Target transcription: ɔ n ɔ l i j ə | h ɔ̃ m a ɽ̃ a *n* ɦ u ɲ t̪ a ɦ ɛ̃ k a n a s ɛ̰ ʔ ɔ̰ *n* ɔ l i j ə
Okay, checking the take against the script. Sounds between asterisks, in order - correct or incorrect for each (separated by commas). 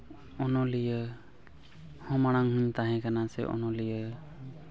incorrect, correct